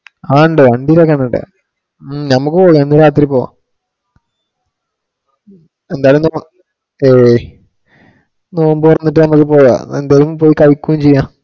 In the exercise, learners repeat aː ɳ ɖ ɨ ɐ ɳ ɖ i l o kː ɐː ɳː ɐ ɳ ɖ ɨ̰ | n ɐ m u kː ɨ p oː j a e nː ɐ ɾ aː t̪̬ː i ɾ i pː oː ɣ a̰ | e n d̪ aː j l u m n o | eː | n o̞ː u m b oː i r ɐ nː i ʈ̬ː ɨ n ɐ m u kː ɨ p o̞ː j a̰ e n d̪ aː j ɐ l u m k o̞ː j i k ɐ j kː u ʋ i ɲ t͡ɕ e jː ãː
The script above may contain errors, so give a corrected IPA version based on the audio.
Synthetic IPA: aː ɳ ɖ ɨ ɐ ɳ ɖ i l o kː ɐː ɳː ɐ ɳ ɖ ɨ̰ | n ɐ m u kː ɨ p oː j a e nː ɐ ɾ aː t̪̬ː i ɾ i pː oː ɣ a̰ | e n d̪ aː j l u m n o | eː | n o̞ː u m b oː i r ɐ nː i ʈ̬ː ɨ n ɐ m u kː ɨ p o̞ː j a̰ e n d̪ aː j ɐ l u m p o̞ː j i k ɐ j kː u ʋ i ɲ t͡ɕ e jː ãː

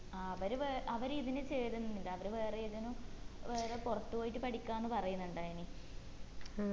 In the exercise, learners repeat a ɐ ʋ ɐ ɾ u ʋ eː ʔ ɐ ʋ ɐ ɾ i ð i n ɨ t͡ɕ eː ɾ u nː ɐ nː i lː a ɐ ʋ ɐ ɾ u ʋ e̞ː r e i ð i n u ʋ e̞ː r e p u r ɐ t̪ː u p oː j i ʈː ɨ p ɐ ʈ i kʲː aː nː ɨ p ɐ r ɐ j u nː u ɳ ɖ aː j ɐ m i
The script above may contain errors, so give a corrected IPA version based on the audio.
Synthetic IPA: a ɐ ʋ ɐ ɾ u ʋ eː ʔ ɐ ʋ ɐ ɾ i ð i n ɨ t͡ɕ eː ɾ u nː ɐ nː i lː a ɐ ʋ ɐ ɾ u ʋ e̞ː r e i ð i n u ʋ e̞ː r e p u r ɐ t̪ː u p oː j i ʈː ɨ p ɐ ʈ i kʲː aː nː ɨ p ɐ r ɐ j u nː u ɳ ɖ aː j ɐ n i

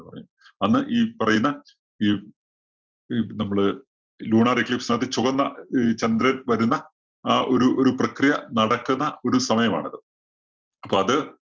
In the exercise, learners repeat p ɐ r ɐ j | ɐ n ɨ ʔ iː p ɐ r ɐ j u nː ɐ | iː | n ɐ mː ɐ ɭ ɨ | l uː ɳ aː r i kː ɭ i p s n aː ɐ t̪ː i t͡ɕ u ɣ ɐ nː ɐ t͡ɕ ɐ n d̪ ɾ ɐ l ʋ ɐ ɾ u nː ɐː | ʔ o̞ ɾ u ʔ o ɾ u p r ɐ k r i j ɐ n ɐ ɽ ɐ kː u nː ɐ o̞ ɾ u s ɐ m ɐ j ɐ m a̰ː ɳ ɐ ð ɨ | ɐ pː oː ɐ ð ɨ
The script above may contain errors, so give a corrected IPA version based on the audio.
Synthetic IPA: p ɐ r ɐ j | ɐ nː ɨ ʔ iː p ɐ r ɐ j u nː ɐ | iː | n ɐ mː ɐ ɭ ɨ | l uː ɳ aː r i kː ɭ i p s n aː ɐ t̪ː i t͡ɕ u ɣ ɐ nː ɐ t͡ɕ ɐ n d̪ ɾ ɐ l ʋ ɐ ɾ u nː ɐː | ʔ o̞ ɾ u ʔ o ɾ u p r ɐ k r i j ɐ n ɐ ɽ ɐ kː u nː ɐ o̞ ɾ u s ɐ m ɐ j ɐ m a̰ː ɳ ɐ ð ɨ | ɐ pː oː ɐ ð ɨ

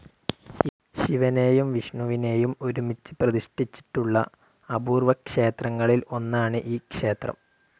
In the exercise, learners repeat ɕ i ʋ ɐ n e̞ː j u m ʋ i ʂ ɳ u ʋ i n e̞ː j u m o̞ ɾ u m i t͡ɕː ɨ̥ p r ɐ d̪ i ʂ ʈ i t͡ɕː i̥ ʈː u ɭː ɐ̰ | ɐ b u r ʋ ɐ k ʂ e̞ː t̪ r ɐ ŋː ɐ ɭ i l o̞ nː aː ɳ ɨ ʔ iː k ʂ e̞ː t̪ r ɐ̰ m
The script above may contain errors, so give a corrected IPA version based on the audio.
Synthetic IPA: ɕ i ʋ ɐ n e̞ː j u m ʋ i ʂ ɳ u ʋ i n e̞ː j u m o̞ ɾ u m i t͡ɕː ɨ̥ p r ɐ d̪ i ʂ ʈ i t͡ɕː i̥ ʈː u ɭː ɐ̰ | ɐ b uː r ʋ ɐ k ʂ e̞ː t̪ r ɐ ŋː ɐ ɭ i l o̞ nː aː ɳ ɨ ʔ iː k ʂ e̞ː t̪ r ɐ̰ m

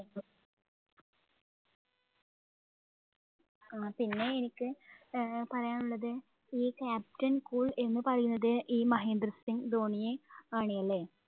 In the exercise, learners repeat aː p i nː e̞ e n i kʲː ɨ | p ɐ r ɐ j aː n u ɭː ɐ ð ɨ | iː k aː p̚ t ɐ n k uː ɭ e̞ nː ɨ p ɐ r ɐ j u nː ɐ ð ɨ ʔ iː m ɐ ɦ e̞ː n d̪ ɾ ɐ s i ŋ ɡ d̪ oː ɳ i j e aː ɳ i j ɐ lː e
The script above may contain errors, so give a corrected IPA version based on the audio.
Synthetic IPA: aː p i nː e̞ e n i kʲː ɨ | p ɐ r ɐ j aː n u ɭː ɐ ð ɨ | iː k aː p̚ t ɐ n k uː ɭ e̞ nː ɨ p ɐ r ɐ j u nː ɐ ð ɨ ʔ iː m ɐ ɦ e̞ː n d̪ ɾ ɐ s i ŋ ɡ d̪ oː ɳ i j e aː ɳ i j ɐ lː e

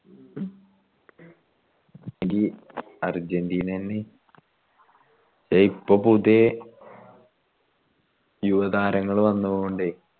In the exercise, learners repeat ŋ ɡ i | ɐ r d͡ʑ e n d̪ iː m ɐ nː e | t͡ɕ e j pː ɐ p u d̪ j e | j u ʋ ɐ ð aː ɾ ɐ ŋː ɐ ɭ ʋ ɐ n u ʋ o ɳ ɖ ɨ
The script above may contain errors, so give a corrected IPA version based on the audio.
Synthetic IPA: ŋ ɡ i | ɐ r d͡ʑ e n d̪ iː n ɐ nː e | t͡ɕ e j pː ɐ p u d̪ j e | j u ʋ ɐ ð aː ɾ ɐ ŋː ɐ ɭ ʋ ɐ nː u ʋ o ɳ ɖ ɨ

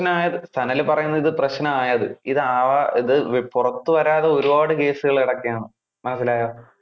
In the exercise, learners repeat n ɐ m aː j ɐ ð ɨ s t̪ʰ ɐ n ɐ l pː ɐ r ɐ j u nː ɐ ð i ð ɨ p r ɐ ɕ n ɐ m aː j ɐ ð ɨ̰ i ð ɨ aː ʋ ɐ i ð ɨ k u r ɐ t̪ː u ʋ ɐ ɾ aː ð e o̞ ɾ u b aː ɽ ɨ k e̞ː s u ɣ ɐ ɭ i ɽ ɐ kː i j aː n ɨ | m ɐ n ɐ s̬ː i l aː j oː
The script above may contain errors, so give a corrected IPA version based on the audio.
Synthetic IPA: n ɐ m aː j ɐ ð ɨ s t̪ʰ ɐ n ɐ l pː ɐ r ɐ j u nː ɐ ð i ð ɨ p r ɐ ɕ n ɐ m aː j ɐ ð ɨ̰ i ð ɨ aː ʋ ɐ i ð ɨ p u r ɐ t̪ː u ʋ ɐ ɾ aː ð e o̞ ɾ u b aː ɽ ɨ k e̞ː s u ɣ ɐ ɭ i ɽ ɐ kː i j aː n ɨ | m ɐ n ɐ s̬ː i l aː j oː

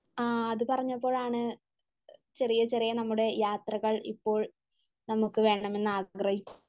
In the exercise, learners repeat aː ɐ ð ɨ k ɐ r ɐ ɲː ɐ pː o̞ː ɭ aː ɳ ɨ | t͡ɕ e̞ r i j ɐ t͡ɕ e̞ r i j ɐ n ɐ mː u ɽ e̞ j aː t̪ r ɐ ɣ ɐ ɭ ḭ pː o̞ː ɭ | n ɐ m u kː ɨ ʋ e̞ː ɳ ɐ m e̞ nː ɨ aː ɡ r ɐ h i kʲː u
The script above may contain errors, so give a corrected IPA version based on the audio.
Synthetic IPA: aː ɐ ð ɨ p ɐ r ɐ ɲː ɐ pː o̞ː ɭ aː ɳ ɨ | t͡ɕ e̞ r i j ɐ t͡ɕ e̞ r i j ɐ n ɐ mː u ɽ e̞ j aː t̪ r ɐ ɣ ɐ ɭ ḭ pː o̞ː ɭ | n ɐ m u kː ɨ ʋ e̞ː ɳ ɐ m e̞ nː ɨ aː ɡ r ɐ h i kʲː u

